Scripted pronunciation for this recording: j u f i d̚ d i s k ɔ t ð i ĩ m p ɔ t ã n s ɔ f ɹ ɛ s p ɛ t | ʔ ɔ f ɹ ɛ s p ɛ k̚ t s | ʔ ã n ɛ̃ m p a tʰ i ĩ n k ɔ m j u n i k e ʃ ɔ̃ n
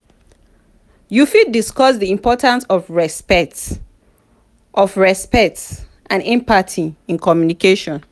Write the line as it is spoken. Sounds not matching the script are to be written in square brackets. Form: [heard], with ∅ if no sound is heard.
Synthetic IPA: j u f i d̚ d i s k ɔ [s] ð i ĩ m p ɔ t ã n s ɔ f ɹ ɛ s p ɛ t | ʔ ɔ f ɹ ɛ s p ɛ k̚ t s | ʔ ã n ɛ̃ m p a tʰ i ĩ n k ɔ m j u n i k e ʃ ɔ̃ n